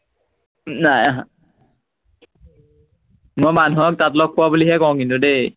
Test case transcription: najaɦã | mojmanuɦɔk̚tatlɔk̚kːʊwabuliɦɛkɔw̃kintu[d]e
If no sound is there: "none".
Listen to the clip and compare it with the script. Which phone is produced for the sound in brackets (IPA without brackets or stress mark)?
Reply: d